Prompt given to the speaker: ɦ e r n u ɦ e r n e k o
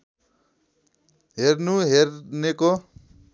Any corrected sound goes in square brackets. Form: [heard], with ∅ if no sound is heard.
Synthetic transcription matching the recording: ɦ e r n u ɦ e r n e k o